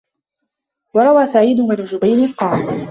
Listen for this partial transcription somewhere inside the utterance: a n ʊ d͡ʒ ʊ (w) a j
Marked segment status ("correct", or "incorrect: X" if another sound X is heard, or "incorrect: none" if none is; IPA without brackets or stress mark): incorrect: b